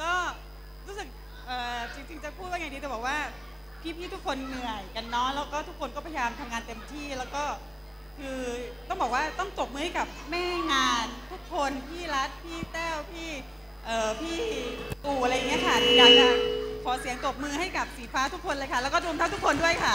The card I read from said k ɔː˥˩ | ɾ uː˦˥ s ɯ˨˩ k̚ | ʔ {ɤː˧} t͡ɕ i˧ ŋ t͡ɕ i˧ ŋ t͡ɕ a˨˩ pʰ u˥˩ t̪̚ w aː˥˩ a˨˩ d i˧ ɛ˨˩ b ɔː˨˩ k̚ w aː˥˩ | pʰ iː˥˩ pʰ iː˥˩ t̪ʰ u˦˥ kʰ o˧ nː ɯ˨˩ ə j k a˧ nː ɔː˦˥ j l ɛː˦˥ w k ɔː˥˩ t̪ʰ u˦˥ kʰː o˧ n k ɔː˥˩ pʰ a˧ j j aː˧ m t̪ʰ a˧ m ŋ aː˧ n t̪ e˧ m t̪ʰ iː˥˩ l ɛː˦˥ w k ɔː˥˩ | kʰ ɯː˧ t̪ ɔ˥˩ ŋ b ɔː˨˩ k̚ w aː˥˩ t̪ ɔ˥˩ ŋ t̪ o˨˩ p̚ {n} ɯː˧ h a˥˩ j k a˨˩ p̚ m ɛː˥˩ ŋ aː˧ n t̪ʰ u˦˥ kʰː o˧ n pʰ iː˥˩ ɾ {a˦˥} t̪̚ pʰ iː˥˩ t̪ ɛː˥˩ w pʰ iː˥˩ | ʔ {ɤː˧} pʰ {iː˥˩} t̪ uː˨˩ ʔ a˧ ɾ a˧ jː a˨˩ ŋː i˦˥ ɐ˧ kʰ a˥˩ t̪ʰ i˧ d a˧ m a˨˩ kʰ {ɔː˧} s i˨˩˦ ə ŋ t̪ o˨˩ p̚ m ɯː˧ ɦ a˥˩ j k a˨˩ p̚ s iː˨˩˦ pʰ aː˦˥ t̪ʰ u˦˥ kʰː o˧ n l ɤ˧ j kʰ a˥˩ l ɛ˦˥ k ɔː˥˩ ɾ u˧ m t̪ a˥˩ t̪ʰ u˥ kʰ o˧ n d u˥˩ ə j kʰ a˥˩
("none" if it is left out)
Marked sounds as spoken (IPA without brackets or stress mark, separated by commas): ɤː˨˩, m, a˦˥, ɤː˨˩, iː˥˩, ɔː˩˦